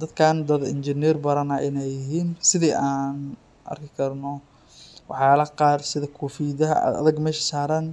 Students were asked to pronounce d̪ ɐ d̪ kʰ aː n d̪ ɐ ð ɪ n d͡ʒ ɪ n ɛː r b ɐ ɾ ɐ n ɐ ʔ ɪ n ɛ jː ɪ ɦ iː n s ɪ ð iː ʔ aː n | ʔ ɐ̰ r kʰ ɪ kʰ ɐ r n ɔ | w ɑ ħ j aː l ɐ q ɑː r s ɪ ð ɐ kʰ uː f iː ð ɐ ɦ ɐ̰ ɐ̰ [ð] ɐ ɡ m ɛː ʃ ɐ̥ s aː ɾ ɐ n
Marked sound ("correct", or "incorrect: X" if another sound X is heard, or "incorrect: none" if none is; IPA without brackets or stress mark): correct